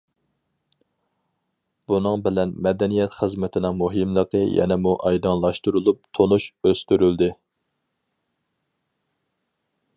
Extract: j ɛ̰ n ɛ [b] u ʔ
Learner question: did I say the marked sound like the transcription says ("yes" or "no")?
no